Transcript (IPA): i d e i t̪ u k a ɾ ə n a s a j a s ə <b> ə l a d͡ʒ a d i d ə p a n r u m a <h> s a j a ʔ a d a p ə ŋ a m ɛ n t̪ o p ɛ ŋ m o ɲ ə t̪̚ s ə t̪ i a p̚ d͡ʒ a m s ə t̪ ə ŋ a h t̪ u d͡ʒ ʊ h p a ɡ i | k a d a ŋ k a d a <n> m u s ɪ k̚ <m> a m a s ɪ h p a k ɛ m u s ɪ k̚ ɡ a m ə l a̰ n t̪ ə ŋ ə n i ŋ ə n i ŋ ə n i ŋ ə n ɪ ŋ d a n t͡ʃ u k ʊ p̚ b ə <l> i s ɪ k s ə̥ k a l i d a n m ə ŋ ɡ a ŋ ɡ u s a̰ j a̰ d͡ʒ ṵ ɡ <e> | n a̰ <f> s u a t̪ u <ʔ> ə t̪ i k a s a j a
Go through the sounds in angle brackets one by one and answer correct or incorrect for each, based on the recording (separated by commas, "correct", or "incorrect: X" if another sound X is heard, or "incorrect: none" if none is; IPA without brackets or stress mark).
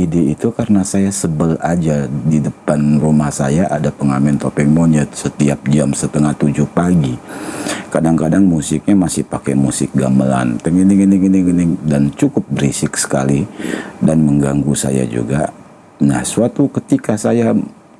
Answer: correct, correct, incorrect: ŋ, incorrect: ɲ, incorrect: ɾ, incorrect: a, incorrect: h, incorrect: k